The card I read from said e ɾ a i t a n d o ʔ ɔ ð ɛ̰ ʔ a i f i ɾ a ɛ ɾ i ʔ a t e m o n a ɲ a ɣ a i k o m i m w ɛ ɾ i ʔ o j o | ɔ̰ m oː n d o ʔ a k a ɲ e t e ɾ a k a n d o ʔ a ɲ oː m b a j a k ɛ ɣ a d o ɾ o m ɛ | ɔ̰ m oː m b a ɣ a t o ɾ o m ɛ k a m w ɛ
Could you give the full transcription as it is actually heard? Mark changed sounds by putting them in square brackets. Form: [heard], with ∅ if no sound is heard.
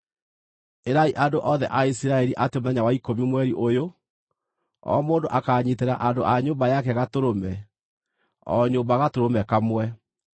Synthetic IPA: e ɾ a i [ʔ] a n d o ʔ ɔ ð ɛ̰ ʔ a i [s] i ɾ a ɛ ɾ i ʔ a t e m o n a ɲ a [w] a i k o m i m w ɛ ɾ i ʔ o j o | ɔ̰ m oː n d o ʔ a k a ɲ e t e ɾ a [ʔ] a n d o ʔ a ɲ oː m b a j a k ɛ ɣ a [t] o ɾ o m ɛ | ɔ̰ [ɲ] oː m b a ɣ a t o ɾ o m ɛ k a m w ɛ